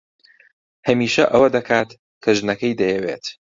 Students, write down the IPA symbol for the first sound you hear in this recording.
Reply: h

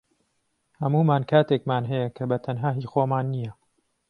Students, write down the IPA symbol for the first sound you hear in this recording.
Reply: h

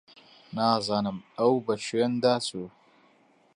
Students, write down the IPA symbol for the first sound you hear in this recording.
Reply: n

